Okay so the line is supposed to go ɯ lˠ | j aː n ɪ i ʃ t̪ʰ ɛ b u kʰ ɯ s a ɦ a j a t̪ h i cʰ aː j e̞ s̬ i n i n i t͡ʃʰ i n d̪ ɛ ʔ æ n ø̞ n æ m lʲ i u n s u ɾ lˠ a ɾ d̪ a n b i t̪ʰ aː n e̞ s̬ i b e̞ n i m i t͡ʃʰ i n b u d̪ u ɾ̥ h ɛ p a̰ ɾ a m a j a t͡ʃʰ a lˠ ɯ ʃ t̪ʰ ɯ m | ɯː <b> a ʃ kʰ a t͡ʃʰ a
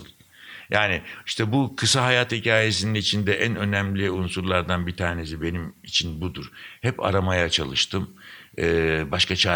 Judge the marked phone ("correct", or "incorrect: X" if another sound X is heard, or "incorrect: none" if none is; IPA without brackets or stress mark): correct